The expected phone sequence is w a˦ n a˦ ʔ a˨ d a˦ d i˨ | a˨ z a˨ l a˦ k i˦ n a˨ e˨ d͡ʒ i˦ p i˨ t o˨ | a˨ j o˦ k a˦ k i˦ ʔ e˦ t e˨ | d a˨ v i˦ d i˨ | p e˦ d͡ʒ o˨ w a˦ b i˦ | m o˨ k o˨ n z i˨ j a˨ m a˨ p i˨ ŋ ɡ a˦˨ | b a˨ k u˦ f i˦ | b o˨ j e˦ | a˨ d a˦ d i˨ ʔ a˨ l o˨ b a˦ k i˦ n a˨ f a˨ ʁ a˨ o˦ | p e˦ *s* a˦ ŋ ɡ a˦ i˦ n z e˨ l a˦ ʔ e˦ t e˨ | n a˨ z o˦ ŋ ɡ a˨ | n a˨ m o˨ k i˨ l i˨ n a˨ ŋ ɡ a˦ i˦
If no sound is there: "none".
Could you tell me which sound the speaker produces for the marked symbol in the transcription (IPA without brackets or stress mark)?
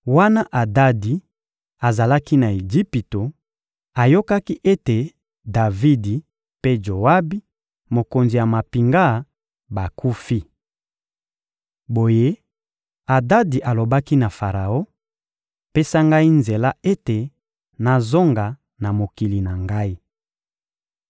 s